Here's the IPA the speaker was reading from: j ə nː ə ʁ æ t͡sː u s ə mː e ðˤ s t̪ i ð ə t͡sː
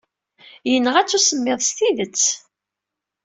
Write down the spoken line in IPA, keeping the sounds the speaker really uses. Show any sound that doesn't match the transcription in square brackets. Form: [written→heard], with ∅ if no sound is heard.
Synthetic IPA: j ə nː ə ʁ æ t͡sː u s ə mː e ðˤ s t̪ i ð ə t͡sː

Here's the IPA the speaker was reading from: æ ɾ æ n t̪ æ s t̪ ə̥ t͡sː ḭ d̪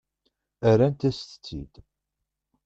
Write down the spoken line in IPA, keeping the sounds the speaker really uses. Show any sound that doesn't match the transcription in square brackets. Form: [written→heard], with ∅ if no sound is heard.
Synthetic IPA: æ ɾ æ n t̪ æ s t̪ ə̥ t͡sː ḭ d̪

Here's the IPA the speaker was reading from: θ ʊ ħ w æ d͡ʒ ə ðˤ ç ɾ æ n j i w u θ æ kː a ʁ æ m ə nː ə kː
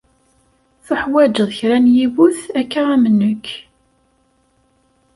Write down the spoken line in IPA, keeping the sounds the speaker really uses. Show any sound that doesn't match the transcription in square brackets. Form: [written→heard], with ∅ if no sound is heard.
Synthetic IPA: θ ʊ ħ w æ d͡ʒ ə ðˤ ç ɾ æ n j i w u θ æ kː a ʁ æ m ə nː ə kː

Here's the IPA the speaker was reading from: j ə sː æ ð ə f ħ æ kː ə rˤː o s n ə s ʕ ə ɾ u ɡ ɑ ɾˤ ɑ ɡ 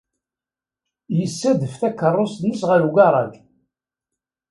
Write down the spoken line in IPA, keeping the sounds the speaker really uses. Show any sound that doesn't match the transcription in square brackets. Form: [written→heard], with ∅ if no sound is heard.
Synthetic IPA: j ə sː æ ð ə f [ħ→θ] æ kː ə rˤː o s n ə s [ʕ→ʁ] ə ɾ u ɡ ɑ ɾˤ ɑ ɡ

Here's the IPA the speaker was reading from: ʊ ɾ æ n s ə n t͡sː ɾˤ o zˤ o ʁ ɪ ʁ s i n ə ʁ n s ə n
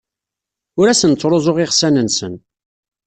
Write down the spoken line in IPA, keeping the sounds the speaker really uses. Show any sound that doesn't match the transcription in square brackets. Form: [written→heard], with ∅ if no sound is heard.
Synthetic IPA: ʊ ɾ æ [n→∅] s ə n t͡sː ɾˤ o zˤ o ʁ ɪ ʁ s [i→æ] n ə [ʁ→∅] n s ə n

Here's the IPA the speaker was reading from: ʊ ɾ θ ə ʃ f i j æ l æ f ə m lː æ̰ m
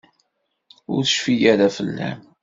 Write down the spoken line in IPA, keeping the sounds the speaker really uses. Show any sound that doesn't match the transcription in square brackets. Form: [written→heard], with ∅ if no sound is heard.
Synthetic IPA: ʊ ɾ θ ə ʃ f i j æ [l→ɾ] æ f ə [m→∅] lː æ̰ m

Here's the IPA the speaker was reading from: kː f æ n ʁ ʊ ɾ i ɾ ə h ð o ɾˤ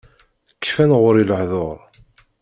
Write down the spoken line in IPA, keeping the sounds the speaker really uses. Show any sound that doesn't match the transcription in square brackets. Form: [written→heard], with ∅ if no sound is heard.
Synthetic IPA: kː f æ n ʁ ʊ ɾ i [ɾ→l] ə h ð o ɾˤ

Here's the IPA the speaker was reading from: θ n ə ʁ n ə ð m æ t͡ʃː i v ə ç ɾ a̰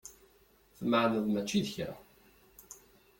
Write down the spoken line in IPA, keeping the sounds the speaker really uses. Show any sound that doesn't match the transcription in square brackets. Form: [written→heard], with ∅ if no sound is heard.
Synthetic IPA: θ [n→m] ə [ʁ→ʕ] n ə ð m æ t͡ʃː i [v→ð] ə ç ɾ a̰

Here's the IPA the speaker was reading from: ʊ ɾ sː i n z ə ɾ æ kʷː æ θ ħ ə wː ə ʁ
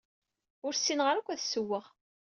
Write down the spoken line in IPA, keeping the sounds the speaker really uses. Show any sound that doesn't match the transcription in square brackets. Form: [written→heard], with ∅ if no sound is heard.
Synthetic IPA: ʊ ɾ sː i n [z→ʁ] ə ɾ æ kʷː æ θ [ħ→s] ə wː ə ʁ

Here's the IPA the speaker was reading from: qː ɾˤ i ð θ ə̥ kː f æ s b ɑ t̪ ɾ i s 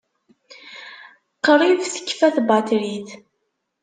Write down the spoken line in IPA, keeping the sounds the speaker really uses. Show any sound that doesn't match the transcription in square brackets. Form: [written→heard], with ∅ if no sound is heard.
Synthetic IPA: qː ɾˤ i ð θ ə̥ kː f æ [s→θ] b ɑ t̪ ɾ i [s→θ]

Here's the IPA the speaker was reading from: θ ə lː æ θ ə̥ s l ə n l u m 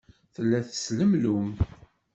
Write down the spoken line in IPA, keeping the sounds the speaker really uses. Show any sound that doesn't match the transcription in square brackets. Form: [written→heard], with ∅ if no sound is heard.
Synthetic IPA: θ ə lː æ θ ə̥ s l ə [n→m] l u m

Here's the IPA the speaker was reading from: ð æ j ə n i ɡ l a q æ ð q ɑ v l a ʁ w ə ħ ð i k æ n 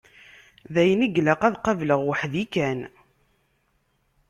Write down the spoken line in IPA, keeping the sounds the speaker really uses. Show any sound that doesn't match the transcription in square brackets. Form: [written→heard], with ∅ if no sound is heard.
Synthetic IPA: ð æ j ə n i ɡ l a q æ ð q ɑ v l [a→ə] ʁ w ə ħ ð i k æ n

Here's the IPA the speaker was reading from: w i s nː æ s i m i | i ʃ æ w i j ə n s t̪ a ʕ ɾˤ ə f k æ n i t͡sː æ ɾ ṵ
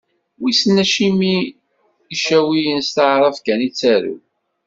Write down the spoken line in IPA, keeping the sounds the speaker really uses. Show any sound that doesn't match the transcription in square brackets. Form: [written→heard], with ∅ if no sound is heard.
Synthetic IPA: w i s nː æ [s→ʃ] i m i | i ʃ æ w i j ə n s t̪ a ʕ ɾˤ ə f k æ n i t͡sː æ ɾ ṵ

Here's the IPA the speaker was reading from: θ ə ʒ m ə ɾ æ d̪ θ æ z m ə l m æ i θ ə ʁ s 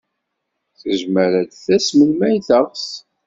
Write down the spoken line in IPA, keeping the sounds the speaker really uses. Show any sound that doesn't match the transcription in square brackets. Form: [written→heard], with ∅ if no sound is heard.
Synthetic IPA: θ ə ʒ m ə ɾ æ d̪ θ æ [z→s] m ə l m æ [i→j] θ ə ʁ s

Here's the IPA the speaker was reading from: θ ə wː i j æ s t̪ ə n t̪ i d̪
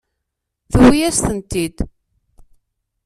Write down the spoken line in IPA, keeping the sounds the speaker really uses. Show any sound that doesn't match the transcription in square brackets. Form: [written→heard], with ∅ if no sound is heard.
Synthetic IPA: θ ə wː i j æ s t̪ ə n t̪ i d̪

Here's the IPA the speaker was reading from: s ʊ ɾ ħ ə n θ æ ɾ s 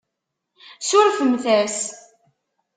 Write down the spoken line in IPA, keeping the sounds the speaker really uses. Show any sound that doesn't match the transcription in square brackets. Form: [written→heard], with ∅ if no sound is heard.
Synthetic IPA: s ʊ ɾ [ħ→f] ə [n→m] θ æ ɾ s

